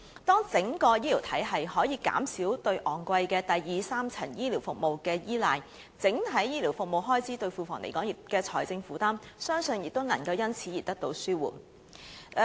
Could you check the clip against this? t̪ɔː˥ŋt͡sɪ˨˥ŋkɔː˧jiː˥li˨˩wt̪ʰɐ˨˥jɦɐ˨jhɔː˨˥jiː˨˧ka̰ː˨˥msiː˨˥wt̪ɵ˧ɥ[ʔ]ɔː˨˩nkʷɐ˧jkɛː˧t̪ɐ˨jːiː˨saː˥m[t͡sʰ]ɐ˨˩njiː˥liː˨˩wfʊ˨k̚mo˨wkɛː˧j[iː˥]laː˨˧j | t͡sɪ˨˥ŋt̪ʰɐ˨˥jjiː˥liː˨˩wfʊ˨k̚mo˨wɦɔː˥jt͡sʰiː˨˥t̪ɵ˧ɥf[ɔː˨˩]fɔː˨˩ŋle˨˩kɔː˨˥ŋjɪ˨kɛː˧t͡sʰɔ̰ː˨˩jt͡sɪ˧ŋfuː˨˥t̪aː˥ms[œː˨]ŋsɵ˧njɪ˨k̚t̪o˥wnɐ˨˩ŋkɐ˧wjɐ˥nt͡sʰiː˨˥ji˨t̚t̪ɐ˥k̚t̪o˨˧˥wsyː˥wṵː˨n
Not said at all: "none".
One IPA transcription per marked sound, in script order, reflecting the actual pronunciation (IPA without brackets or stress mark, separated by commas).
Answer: ʔ, t͡sʰ, iː˥, uː˨˩, œː˥